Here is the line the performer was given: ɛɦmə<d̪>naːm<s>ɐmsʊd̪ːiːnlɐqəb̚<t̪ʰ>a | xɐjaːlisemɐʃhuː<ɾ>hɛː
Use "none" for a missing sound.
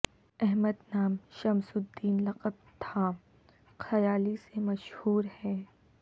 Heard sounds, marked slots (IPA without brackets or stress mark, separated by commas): d̪, ʃ, t̪ʰ, ɾ